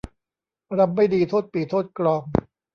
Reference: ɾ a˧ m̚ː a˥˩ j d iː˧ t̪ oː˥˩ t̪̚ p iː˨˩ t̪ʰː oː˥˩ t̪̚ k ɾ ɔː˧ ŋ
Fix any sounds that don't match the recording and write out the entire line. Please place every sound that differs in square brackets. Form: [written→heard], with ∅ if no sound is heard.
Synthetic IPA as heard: ɾ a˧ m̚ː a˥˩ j d iː˧ [t̪→t̪ʰ] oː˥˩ t̪̚ p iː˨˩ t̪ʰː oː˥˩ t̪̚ k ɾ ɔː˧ ŋ